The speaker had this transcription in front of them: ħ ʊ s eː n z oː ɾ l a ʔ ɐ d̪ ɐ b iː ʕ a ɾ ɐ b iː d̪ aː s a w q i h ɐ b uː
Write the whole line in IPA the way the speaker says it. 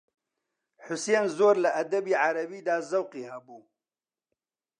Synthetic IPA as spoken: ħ ʊ s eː n z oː ɾ l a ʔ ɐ d̪ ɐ b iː ʕ a ɾ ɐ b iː d̪ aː z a w q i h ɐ b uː